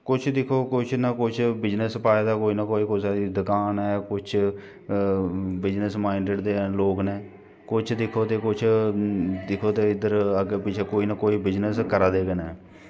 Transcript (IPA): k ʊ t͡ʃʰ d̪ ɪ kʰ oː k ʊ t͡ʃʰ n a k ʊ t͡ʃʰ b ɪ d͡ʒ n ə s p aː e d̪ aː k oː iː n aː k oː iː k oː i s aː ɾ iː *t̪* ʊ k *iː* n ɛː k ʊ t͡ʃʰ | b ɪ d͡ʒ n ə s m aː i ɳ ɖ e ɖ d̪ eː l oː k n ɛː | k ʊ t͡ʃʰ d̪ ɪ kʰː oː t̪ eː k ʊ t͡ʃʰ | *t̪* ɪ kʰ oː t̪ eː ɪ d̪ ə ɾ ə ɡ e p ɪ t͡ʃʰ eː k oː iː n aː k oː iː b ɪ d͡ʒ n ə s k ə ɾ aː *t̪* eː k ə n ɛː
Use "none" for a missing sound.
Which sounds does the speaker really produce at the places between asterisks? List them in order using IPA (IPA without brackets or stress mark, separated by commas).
d̪, aː, d̪, d̪